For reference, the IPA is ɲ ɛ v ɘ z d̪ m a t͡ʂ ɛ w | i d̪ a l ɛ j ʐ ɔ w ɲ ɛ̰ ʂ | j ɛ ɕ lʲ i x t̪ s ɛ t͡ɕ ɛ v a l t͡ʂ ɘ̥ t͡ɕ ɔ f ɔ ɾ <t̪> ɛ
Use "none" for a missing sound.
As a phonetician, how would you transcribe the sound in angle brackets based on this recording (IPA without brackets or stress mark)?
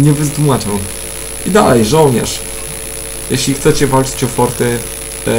t̪